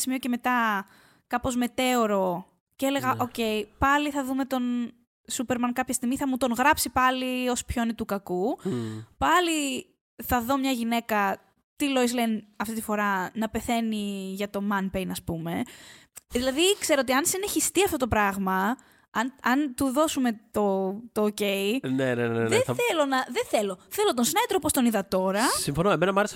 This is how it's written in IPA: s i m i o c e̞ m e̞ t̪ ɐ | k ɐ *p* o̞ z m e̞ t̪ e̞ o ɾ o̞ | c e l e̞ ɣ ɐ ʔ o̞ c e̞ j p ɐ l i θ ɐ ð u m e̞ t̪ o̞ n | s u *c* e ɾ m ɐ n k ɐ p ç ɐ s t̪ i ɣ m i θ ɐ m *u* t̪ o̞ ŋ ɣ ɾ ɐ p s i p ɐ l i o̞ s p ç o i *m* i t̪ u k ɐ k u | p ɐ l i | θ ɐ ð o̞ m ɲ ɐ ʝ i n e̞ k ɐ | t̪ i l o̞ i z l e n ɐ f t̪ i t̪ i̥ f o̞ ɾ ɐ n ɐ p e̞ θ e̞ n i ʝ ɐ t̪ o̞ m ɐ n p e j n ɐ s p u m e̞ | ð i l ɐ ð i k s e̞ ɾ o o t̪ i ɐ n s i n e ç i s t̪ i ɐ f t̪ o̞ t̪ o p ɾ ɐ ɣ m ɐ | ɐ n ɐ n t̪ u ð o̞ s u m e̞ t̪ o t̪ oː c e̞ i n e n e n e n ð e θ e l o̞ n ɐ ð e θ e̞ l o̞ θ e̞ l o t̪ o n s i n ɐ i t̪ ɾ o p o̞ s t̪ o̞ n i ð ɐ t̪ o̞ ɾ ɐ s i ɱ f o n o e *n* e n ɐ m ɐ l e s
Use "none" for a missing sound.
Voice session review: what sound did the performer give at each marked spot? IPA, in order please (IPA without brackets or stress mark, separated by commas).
p, p, u, n, m